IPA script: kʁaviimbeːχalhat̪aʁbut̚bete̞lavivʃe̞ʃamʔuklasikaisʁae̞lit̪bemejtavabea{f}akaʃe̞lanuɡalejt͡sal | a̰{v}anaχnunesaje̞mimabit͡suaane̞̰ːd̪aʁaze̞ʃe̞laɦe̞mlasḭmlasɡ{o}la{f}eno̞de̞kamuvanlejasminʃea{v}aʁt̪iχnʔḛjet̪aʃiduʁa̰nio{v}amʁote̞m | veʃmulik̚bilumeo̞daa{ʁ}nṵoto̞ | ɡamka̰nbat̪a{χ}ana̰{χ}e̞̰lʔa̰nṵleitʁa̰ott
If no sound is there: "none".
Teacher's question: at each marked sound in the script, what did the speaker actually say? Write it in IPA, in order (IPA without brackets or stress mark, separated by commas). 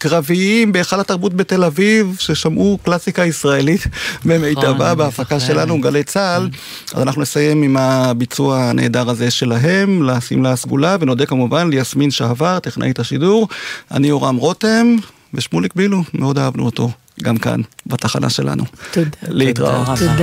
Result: f, z, u, v, v, ʁ, v, χ, ʃ